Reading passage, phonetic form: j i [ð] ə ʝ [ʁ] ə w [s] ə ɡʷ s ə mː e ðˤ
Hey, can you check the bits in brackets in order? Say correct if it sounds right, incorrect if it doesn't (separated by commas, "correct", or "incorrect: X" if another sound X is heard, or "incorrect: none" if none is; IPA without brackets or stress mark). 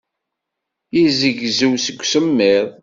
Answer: incorrect: z, incorrect: z, correct